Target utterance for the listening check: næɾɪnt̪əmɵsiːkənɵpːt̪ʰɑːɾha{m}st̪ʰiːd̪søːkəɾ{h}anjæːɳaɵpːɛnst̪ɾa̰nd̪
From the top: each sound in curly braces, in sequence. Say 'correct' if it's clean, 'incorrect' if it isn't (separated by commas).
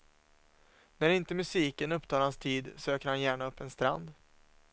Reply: incorrect, correct